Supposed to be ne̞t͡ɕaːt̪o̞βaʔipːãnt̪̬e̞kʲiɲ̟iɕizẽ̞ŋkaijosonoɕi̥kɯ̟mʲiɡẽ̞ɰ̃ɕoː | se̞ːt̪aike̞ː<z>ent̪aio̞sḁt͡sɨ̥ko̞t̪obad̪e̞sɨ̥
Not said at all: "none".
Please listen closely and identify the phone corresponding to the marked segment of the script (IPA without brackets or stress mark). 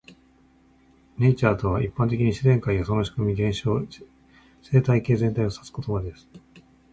z